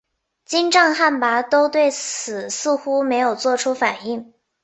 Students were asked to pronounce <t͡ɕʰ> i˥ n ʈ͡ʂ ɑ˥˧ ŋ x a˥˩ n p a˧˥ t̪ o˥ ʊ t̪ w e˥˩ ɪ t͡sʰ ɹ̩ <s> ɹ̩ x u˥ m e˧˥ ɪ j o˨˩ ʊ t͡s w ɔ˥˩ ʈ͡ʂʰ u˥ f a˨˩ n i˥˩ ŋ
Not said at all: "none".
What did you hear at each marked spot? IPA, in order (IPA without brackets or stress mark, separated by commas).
t͡ɕ, s